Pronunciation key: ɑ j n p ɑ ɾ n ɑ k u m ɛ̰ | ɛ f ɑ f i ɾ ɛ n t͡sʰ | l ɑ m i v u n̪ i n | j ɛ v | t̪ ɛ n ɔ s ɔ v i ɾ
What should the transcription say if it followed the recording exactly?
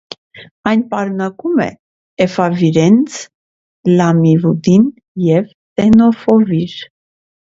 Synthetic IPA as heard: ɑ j n p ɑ ɾ n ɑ k u m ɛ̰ | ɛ f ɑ v i ɾ ɛ n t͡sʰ | l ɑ m i v u d̪ i n | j ɛ v | t̪ ɛ n ɔ f ɔ v i ɾ